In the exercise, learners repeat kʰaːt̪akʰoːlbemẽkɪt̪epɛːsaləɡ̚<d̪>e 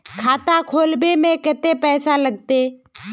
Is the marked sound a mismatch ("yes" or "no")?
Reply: yes